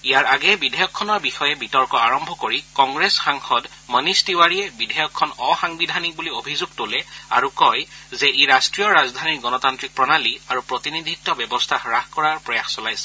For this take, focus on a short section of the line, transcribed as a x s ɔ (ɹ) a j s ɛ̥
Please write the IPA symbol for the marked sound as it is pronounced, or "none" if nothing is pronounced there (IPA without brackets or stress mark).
l